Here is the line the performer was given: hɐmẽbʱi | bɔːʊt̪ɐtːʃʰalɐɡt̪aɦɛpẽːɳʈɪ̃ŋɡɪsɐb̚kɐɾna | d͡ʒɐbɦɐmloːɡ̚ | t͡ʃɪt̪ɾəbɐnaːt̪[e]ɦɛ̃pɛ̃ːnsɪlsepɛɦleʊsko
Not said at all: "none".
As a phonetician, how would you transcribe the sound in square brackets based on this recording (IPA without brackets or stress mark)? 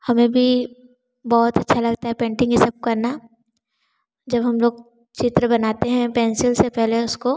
e